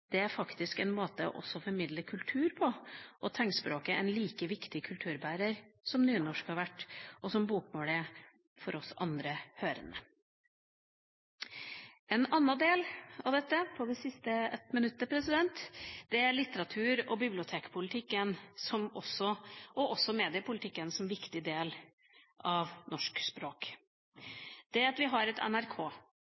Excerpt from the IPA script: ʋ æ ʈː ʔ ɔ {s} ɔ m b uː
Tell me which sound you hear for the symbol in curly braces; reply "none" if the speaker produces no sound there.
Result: s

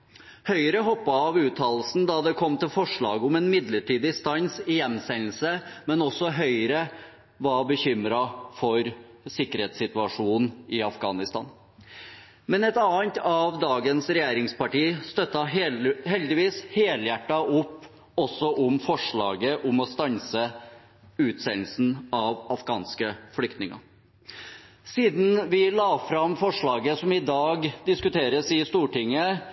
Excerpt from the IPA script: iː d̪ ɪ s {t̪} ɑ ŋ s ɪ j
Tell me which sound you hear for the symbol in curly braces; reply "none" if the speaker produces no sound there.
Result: t̪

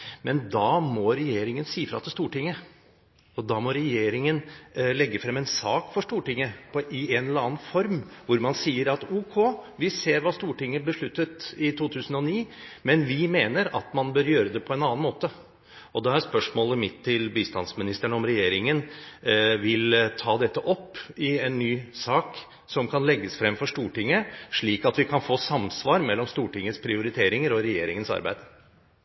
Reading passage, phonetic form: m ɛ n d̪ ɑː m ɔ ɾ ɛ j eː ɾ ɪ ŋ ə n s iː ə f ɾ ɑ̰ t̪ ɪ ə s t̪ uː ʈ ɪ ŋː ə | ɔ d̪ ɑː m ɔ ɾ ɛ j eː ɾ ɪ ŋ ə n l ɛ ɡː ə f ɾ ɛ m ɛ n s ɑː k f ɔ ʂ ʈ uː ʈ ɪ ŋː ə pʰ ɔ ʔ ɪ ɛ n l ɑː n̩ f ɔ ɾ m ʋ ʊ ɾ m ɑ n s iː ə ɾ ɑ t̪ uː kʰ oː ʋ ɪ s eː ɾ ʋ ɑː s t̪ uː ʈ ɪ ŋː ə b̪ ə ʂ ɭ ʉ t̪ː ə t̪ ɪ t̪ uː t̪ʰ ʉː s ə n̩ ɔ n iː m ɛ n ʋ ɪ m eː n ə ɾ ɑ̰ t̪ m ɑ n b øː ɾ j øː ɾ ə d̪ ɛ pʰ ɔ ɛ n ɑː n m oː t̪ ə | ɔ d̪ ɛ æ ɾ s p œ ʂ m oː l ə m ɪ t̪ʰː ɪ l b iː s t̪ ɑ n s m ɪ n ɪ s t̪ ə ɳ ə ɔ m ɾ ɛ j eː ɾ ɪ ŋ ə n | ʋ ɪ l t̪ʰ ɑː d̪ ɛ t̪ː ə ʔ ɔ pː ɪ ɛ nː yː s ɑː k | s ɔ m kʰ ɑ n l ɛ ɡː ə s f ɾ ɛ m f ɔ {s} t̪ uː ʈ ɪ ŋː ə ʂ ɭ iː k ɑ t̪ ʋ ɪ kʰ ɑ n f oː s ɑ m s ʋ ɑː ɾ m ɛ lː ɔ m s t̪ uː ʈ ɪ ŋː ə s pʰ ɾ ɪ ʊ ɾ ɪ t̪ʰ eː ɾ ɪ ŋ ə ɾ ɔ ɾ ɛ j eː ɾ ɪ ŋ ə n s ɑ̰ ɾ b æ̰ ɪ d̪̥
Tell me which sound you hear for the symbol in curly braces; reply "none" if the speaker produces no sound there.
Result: ʂ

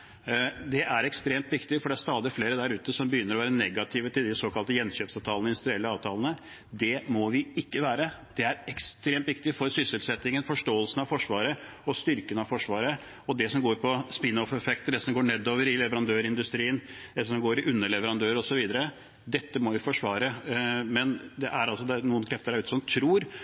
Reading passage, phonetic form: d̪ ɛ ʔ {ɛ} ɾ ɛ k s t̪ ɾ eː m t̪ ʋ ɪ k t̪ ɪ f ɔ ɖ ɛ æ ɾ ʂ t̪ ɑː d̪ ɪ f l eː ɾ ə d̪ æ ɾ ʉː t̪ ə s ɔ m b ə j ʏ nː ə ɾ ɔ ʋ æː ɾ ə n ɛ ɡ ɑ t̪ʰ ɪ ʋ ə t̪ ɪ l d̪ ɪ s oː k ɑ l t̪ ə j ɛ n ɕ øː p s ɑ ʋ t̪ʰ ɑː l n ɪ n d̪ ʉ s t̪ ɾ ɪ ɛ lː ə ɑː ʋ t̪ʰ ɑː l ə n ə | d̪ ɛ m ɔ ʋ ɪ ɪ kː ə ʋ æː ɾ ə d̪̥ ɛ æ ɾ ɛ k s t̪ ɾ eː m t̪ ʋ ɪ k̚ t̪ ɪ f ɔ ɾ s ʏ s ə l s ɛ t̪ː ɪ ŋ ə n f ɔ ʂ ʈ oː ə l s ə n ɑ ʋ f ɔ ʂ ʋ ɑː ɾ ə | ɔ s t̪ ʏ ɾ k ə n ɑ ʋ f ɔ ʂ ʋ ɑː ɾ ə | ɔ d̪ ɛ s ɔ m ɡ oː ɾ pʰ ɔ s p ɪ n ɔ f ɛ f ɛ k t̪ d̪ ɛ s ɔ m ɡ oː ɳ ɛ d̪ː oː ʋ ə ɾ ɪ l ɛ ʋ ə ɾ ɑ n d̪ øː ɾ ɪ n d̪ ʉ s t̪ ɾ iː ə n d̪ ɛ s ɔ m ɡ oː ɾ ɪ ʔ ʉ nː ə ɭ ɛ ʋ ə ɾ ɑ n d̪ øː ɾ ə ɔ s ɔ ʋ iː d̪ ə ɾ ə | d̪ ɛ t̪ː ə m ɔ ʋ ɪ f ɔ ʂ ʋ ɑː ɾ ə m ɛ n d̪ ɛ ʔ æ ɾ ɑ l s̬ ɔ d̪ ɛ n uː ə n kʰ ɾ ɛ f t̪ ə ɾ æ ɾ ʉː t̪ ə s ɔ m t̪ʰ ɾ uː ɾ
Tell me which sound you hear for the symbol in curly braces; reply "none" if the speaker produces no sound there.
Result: æ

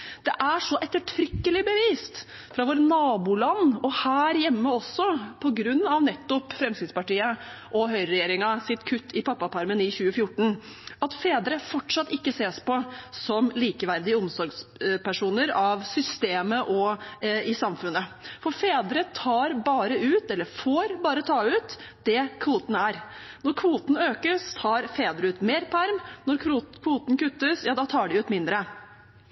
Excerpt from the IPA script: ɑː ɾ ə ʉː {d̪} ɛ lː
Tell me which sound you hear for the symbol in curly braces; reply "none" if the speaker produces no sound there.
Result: t̪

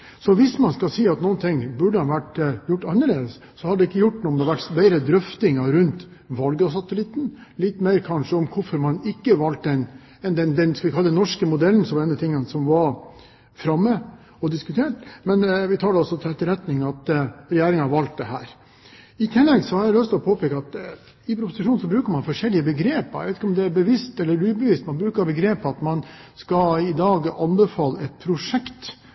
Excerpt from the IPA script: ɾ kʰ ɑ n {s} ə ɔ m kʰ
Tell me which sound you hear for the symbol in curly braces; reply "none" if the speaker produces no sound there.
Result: ʂ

